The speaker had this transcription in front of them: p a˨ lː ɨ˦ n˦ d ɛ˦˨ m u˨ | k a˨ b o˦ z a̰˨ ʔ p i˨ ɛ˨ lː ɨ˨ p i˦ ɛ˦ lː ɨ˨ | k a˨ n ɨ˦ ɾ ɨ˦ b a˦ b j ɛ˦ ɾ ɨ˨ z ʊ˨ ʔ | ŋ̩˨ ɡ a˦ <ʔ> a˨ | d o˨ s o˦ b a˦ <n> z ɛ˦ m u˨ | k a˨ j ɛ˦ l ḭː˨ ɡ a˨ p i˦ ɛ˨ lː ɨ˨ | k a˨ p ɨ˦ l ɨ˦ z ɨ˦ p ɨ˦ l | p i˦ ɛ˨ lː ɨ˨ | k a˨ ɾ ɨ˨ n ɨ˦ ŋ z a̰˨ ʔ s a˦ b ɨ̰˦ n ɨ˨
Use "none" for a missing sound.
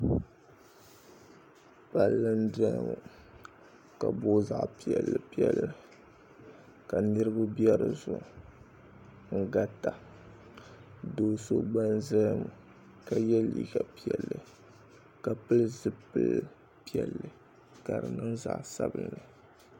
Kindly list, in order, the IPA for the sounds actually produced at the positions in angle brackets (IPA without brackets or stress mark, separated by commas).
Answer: t, n